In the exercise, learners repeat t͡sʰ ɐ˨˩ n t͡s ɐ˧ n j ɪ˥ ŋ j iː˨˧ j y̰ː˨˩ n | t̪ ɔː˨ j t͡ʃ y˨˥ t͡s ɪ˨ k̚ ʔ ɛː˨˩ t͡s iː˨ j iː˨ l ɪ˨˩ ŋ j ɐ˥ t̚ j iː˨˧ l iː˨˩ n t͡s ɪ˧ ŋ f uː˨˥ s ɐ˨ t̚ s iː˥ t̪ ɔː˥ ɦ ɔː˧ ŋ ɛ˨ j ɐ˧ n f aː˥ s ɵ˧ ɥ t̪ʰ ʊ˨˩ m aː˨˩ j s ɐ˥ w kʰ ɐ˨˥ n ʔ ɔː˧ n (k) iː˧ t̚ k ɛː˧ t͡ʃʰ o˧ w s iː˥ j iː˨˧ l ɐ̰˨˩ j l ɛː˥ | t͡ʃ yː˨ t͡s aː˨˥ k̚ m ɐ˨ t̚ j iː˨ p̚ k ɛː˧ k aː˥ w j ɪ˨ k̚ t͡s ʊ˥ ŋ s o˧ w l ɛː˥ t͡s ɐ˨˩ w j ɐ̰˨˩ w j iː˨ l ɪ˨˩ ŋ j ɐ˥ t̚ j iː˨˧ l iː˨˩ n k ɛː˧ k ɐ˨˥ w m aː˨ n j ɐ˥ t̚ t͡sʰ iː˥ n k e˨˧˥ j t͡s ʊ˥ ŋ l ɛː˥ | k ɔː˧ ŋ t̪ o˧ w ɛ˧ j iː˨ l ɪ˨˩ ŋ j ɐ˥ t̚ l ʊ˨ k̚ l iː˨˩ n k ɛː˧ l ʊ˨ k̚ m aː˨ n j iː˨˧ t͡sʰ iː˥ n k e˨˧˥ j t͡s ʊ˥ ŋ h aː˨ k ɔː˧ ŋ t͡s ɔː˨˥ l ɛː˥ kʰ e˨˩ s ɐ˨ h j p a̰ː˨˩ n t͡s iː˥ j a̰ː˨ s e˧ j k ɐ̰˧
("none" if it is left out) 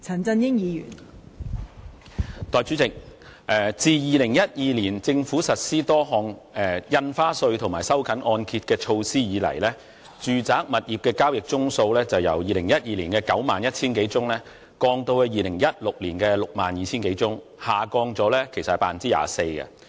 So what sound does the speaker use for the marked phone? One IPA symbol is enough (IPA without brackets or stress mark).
kʰ